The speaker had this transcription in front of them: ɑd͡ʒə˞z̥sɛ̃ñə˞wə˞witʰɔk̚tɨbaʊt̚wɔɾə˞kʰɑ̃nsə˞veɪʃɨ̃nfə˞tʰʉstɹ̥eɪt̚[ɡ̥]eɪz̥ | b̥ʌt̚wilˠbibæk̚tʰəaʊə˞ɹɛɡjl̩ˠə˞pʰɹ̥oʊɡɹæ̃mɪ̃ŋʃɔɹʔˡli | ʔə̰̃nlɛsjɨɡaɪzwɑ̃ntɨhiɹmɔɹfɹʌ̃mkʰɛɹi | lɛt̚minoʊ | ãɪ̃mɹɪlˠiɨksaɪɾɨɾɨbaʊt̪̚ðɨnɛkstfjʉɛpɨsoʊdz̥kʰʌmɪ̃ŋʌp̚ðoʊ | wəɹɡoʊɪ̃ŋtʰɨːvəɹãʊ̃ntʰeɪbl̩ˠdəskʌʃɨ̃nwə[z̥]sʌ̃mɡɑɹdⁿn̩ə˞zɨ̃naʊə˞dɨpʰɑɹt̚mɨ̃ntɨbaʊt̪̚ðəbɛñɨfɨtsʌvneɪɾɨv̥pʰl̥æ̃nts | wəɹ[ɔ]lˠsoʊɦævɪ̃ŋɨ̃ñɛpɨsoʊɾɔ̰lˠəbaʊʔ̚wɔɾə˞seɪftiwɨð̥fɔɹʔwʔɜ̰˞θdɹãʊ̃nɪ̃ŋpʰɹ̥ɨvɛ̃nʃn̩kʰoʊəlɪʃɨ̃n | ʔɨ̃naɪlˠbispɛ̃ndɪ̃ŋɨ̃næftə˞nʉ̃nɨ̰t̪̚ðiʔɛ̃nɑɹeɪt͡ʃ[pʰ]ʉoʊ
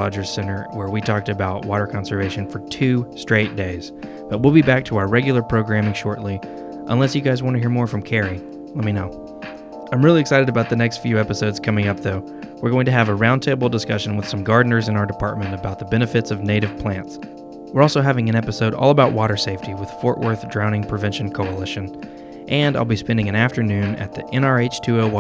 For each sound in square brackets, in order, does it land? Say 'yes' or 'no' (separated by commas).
no, no, yes, no